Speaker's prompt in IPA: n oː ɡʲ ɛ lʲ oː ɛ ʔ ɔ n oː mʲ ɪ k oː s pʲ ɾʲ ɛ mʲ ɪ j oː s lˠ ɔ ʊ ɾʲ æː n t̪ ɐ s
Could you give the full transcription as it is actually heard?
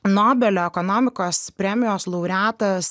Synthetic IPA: n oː bʲ ɛ lʲ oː ɛ k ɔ n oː mʲ ɪ k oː s pʲ ɾʲ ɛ mʲ ɪ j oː s lˠ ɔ ʊ ɾʲ æː t̪ ɐ s